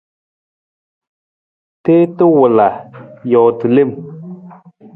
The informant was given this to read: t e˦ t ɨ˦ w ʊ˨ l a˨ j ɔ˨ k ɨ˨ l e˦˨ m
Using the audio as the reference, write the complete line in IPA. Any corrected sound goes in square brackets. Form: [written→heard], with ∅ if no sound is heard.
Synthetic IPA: t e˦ t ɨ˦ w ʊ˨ l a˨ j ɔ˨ [k→t] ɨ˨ l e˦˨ m